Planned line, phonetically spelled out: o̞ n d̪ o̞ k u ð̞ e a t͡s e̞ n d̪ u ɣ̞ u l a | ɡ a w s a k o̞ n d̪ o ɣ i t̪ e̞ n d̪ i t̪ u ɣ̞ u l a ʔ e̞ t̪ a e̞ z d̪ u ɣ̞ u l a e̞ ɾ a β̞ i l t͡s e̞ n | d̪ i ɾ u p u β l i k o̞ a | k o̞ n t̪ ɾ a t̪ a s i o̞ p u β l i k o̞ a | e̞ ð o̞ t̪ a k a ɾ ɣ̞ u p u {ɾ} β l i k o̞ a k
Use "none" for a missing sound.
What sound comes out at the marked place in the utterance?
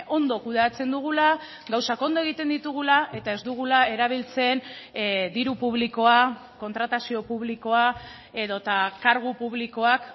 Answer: none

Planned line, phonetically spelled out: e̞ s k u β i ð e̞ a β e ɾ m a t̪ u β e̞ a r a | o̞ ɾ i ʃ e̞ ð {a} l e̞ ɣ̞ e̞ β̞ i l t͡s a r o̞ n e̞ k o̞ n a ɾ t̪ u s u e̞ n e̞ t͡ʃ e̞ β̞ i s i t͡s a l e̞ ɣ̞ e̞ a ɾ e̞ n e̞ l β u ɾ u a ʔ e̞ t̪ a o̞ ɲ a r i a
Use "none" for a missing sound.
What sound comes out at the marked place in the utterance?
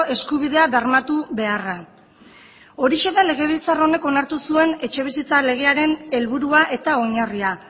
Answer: a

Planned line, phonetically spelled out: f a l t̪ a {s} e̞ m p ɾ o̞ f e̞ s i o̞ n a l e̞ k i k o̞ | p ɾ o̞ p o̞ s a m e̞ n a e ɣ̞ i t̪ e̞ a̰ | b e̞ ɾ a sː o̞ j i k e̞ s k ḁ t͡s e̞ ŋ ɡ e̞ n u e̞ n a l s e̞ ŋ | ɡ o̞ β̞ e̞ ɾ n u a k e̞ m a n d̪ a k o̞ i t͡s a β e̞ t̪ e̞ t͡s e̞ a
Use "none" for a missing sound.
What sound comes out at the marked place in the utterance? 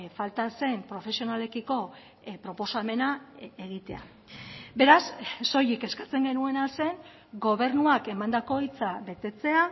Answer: s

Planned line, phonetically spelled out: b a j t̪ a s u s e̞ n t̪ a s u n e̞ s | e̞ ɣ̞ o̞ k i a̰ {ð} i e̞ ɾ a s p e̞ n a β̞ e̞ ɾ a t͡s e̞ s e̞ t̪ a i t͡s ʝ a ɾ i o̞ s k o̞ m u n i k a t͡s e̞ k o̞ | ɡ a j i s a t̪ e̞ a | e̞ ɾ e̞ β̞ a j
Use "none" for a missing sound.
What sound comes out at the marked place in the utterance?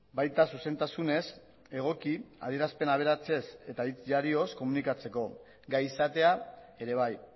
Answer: ð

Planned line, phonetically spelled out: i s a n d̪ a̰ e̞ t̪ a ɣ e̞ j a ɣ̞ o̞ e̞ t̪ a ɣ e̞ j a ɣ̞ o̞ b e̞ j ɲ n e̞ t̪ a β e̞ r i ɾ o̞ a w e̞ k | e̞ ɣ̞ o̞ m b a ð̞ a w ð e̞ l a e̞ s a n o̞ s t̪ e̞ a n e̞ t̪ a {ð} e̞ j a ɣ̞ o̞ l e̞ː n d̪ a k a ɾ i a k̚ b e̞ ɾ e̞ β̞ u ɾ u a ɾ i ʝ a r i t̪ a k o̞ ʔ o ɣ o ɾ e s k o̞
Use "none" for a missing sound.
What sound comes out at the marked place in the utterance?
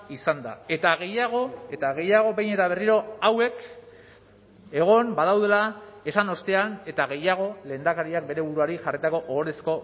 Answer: ɣ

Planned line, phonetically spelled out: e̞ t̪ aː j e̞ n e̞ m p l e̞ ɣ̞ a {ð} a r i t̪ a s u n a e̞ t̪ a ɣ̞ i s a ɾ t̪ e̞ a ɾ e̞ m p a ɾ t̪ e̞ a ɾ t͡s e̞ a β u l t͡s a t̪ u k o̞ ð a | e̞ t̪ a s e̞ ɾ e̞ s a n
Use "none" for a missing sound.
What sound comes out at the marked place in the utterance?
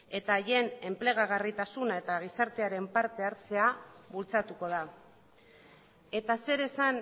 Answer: ɣ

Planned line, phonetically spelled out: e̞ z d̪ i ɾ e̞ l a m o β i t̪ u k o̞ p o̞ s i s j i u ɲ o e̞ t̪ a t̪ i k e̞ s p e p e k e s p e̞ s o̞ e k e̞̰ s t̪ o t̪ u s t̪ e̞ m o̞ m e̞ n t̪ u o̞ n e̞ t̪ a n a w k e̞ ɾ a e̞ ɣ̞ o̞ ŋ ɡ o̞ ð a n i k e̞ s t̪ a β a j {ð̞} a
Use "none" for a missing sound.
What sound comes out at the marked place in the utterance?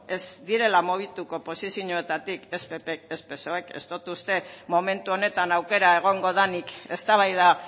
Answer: ð̞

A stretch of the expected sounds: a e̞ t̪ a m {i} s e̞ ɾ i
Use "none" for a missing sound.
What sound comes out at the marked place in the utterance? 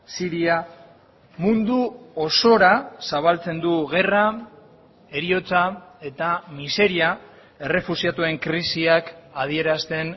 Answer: i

